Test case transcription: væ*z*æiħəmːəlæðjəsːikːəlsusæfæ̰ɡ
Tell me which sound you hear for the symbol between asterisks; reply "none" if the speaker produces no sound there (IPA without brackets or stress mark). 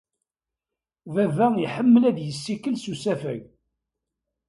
v